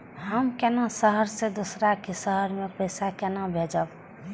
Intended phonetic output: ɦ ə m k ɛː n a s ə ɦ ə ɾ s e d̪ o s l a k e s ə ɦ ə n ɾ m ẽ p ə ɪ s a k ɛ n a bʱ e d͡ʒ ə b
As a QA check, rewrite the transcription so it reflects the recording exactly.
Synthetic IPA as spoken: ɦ ə m k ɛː n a s ə ɦ ə ɾ s e d̪ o s ɾ a k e s ə ɦ ə ɾ m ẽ p ə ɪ s a k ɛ n a bʱ e d͡ʒ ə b